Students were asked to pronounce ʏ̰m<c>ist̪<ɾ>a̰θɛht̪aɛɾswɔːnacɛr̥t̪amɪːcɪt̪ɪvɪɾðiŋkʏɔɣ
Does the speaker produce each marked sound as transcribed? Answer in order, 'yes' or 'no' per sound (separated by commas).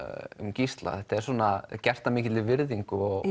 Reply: yes, no